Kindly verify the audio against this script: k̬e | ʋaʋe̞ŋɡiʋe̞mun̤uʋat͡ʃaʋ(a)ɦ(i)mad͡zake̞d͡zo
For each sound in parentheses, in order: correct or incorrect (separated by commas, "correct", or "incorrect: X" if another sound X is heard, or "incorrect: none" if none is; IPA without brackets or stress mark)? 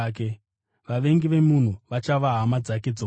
correct, incorrect: a